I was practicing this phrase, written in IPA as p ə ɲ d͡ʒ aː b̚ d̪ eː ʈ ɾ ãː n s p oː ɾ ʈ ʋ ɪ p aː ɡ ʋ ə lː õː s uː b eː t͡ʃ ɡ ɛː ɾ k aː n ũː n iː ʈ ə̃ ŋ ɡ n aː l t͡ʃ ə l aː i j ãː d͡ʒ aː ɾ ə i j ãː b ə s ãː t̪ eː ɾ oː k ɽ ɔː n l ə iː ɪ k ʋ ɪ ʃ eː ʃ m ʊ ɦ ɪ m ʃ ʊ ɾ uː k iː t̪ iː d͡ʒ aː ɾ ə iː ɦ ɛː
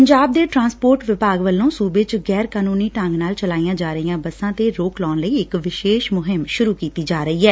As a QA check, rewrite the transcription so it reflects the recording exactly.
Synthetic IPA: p ə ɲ d͡ʒ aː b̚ d̪ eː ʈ ɾ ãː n s p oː ɾ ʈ ʋ ɪ p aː ɡ ʋ ə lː õː s uː b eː t͡ʃ ɡ ɛː ɾ k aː n uː n iː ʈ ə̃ ŋ ɡ n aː l t͡ʃ ə l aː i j ãː d͡ʒ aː ɾ ə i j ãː b ə s ãː t̪ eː ɾ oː k l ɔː n l ə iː ɪ k ʋ ɪ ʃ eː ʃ m ʊ ɦ ɪ m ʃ ʊ ɾ uː k iː t̪ iː d͡ʒ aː ɾ ə iː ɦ ɛː

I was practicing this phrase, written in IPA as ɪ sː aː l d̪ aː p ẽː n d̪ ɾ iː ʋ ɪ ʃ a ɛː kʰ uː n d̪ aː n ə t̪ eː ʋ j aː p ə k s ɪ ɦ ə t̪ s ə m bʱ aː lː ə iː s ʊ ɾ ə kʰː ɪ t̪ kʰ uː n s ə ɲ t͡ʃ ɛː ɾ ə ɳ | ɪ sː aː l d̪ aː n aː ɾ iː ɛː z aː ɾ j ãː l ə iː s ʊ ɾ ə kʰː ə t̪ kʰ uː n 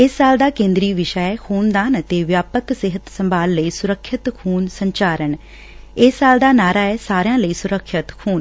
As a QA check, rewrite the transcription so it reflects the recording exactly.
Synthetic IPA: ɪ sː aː l d̪ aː k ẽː n d̪ ɾ iː ʋ ɪ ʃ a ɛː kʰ uː n d̪ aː n ə t̪ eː ʋ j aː p ə k s ɪ ɦ ə t̪ s ə m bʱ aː lː ə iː s ʊ ɾ ə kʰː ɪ t̪ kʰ uː n s ə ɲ t͡ʃ aː ɾ ə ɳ | ɪ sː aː l d̪ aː n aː ɾ aː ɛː s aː ɾ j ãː l ə iː s ʊ ɾ ə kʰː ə t̪ kʰ uː n

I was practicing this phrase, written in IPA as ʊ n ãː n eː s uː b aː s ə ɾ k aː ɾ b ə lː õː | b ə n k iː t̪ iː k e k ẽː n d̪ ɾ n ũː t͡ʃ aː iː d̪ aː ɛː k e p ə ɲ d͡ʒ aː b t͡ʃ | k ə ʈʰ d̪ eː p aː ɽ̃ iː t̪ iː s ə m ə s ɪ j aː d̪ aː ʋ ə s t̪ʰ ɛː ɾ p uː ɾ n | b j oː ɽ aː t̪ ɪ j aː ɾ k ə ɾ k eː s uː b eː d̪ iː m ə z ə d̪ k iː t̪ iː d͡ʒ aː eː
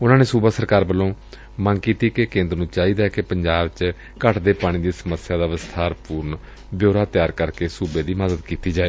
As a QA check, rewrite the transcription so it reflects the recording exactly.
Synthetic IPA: ʊ n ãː n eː s uː b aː s ə ɾ k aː ɾ b ə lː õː | m ə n k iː t̪ iː k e k ẽː n d̪ ɾ n ũː t͡ʃ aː iː d̪ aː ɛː k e p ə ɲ d͡ʒ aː b t͡ʃ | k ə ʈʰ d̪ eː p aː ɽ̃ iː d̪ iː s ə m ə s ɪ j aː d̪ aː ʋ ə s t̪ʰ aː ɾ p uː ɾ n | b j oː ɾ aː t̪ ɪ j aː ɾ k ə ɾ k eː s uː b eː d̪ iː m ə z ə d̪ k iː t̪ iː d͡ʒ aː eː

